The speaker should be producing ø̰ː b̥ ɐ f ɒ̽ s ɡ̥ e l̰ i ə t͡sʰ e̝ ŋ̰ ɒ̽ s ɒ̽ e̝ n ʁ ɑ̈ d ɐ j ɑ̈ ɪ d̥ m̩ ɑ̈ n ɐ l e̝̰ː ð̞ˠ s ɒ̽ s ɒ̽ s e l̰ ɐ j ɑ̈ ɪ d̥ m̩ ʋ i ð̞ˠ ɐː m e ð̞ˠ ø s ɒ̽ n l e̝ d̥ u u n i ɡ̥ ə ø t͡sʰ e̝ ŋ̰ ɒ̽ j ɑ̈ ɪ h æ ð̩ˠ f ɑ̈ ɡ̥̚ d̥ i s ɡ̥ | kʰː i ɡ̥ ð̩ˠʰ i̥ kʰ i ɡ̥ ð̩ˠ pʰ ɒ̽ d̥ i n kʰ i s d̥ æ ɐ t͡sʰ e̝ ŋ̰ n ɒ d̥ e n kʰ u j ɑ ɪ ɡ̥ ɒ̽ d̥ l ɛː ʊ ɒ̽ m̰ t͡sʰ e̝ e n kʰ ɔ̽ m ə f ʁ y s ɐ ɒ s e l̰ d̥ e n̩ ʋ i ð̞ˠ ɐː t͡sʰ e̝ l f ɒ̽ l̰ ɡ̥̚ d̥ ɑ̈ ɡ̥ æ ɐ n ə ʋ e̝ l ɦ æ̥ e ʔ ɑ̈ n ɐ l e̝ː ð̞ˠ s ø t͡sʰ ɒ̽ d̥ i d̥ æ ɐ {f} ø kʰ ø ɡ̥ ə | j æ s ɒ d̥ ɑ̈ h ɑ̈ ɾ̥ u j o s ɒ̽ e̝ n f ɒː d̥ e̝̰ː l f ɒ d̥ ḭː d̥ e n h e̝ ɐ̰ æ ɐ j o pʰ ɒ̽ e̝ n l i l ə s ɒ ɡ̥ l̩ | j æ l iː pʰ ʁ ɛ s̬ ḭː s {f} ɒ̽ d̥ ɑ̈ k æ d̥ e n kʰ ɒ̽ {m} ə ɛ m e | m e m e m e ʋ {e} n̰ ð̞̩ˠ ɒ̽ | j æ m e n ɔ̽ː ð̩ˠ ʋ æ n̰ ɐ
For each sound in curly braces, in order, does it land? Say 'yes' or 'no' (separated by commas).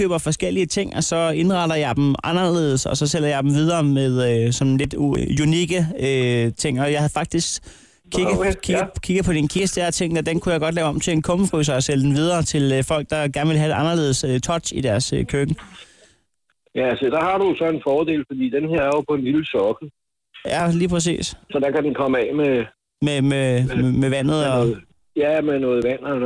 no, no, yes, no